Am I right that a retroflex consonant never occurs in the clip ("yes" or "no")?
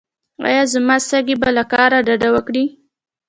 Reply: no